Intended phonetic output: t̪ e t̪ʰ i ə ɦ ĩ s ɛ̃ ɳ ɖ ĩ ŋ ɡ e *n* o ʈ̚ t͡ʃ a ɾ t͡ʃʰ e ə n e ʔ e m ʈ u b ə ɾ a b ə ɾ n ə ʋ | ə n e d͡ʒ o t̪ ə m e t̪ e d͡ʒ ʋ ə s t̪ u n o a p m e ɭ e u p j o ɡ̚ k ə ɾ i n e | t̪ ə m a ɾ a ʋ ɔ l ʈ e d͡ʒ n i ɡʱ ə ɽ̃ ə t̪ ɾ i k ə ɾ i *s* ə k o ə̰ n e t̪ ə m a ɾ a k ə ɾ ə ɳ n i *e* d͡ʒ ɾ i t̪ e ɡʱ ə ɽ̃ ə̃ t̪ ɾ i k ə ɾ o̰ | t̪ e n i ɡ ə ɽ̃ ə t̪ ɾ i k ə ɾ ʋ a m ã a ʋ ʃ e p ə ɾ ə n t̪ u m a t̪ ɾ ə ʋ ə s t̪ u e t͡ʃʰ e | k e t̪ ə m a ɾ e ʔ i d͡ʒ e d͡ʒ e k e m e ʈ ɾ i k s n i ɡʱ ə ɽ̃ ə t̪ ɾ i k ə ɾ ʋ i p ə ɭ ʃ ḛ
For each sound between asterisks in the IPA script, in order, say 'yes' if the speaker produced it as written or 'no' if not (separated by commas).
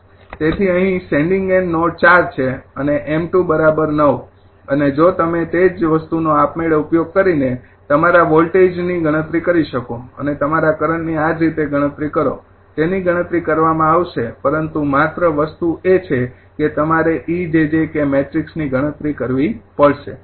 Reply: no, no, no